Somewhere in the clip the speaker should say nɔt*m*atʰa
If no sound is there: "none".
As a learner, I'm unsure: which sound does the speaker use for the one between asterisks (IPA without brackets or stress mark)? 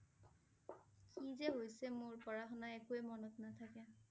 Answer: n